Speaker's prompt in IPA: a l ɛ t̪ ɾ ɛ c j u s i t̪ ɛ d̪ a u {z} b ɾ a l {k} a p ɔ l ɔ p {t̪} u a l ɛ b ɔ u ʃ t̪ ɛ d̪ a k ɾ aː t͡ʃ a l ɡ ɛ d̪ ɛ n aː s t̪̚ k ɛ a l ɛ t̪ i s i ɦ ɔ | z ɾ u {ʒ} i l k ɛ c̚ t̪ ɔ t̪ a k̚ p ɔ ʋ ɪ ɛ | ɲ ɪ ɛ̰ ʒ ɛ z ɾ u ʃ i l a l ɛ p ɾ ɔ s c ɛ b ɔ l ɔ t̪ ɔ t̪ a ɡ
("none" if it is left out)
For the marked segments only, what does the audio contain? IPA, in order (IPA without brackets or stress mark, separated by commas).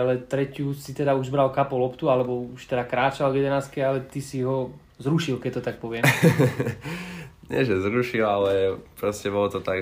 ʒ, k, t̪, ʃ